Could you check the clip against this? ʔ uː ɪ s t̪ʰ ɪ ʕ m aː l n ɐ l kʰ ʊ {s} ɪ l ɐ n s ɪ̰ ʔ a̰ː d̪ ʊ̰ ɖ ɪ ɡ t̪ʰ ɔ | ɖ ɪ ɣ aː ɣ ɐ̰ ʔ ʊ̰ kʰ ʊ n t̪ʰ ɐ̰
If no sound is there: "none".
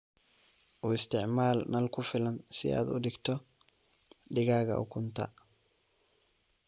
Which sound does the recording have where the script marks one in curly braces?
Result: f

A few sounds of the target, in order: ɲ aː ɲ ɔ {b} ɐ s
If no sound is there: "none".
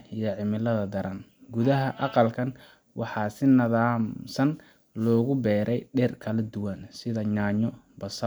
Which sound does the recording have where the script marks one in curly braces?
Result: b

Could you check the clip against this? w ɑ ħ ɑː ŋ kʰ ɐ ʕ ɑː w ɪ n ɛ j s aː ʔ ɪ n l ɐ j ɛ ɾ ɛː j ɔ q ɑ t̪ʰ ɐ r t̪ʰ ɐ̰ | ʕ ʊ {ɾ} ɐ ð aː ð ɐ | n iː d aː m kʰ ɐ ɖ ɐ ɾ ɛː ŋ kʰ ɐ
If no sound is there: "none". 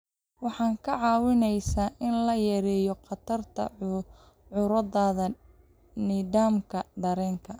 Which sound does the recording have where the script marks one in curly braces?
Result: ɾ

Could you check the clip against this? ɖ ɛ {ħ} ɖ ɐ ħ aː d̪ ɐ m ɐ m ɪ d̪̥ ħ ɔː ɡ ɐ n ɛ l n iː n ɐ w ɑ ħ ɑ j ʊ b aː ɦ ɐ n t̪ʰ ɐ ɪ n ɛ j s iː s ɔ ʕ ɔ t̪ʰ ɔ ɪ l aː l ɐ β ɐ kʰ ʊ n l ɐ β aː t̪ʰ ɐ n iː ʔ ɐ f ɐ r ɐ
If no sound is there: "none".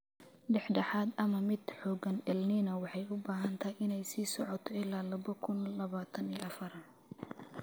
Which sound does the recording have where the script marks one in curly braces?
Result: ħ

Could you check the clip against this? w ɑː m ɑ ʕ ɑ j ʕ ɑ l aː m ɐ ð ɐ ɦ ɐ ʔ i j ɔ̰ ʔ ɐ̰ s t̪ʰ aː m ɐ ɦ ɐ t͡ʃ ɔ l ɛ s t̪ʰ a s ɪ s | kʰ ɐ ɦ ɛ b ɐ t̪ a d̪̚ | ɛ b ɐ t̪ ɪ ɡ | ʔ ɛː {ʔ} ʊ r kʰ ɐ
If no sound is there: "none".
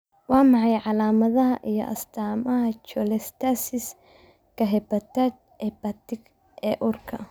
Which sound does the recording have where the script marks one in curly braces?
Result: ʔ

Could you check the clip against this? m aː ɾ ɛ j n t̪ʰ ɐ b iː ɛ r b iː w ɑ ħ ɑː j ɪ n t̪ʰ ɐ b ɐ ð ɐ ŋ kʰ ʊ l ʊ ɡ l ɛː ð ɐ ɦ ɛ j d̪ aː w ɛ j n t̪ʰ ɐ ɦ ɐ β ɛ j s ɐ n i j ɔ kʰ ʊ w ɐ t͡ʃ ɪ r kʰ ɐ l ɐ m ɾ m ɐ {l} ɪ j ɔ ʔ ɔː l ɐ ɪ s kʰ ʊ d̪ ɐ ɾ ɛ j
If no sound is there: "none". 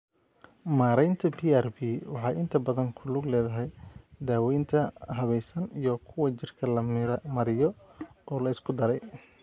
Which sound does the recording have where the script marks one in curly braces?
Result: ɾ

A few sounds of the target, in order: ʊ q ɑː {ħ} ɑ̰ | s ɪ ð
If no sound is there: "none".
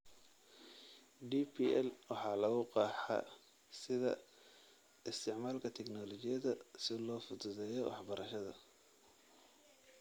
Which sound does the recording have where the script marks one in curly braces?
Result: ħ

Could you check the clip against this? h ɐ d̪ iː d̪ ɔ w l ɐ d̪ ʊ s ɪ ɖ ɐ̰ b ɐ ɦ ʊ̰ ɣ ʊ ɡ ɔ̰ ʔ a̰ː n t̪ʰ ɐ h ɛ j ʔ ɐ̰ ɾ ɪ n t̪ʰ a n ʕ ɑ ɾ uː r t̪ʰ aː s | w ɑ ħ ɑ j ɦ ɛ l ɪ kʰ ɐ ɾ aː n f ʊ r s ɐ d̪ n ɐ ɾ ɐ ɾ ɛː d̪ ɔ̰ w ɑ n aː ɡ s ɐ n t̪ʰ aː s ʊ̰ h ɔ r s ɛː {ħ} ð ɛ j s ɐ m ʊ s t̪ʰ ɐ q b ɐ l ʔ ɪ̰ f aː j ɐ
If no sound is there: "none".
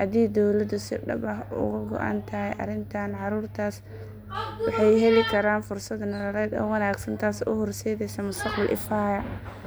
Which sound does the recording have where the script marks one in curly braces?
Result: none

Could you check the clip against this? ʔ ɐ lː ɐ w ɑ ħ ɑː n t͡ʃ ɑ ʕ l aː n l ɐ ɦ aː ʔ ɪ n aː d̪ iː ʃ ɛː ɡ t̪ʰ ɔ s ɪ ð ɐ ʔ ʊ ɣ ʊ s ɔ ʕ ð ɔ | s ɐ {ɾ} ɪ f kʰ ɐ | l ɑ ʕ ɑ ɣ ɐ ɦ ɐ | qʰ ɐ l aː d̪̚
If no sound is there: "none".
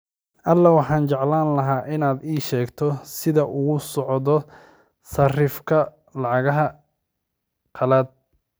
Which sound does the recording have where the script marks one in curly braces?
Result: r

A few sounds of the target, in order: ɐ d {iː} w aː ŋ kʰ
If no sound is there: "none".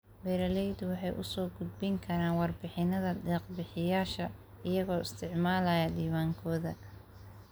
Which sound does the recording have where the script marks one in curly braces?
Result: iː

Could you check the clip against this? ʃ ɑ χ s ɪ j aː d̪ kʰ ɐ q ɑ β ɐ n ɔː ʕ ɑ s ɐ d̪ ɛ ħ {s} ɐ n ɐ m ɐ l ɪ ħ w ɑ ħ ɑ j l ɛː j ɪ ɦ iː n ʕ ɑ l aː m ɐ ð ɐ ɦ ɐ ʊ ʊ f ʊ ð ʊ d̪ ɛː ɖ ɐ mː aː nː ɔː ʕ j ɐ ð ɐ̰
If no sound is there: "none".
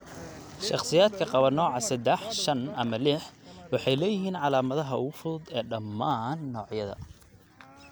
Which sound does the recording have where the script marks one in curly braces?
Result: ʃ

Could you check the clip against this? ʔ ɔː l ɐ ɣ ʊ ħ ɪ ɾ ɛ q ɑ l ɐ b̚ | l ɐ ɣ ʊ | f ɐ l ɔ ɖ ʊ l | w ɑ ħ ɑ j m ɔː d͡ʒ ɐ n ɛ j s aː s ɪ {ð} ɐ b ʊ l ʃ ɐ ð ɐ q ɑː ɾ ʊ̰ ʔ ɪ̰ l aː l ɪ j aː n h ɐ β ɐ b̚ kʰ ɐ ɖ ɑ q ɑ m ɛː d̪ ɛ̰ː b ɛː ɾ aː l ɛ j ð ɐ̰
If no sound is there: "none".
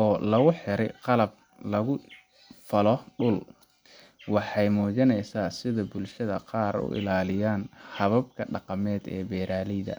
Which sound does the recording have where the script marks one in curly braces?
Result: ð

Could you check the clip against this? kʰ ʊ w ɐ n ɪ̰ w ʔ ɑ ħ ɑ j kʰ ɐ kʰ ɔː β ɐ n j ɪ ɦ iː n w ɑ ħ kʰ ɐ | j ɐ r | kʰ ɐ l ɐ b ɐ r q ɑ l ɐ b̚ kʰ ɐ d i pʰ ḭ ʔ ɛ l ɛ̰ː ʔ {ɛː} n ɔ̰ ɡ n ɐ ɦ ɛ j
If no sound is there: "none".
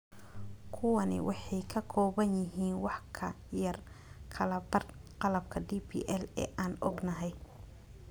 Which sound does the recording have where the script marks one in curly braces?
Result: aː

